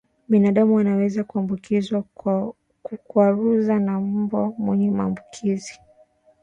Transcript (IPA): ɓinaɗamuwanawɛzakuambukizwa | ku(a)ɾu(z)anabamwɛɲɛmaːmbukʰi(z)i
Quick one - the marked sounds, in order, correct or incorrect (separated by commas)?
correct, correct, correct